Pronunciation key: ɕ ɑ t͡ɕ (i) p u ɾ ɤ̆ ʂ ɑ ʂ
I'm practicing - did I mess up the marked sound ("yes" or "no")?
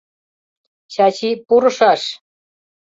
no